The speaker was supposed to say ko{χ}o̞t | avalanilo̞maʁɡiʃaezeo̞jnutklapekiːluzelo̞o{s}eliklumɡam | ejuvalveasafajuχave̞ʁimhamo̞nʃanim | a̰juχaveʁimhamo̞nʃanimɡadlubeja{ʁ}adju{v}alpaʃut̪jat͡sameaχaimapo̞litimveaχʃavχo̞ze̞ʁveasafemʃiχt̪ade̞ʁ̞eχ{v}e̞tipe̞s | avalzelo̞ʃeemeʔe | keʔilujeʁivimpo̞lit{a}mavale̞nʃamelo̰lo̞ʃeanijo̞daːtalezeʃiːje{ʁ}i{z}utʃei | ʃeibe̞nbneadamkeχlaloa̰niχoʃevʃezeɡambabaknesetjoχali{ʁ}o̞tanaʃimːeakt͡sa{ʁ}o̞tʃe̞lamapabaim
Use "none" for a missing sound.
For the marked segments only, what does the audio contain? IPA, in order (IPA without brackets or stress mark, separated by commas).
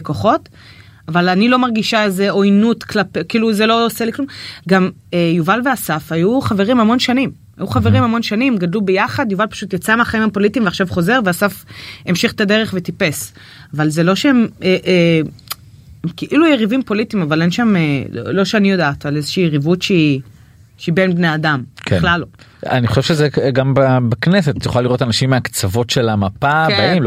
χ, s, χ, v, v, i, ʁ, v, ʁ, v